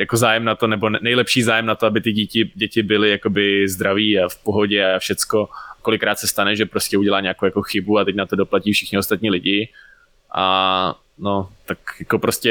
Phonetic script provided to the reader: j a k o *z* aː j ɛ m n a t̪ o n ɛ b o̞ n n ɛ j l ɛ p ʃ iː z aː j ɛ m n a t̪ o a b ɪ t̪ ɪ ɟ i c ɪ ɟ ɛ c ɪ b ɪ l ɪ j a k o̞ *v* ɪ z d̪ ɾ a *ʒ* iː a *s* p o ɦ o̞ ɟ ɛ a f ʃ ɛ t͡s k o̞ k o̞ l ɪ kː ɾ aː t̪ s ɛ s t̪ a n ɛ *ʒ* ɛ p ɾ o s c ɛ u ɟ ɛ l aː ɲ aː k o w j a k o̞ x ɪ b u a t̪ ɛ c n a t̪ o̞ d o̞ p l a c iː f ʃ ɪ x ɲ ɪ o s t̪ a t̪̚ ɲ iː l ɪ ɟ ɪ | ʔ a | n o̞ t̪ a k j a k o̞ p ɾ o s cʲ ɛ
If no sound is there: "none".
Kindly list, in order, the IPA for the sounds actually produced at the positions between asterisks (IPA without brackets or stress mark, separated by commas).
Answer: z, b, v, f, ʒ